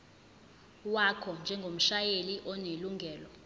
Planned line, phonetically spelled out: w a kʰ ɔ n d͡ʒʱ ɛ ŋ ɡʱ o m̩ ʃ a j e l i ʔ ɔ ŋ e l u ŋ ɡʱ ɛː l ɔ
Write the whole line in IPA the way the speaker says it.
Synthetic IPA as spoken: w a kʰ ɔ n d͡ʒʱ ɛ ŋ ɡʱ o m̩ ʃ a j e l i ʔ ɔ n e l u ŋ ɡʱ ɛː l ɔ